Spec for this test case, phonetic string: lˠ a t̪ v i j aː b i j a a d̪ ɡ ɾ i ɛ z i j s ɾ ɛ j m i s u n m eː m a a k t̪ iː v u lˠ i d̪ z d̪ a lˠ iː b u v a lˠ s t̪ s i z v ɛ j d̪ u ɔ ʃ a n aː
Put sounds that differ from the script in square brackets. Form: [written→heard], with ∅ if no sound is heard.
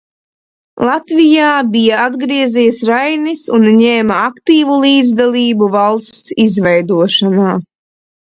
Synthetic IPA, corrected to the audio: lˠ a t̪ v i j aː b i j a a d̪ ɡ ɾ i ɛ z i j s ɾ [ɛ→a] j [m→n] i s u n [m→ɲ] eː m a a k t̪ iː v u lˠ [i→iː] d̪ z d̪ a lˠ iː b u v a lˠ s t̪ s i z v ɛ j d̪ u ɔ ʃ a n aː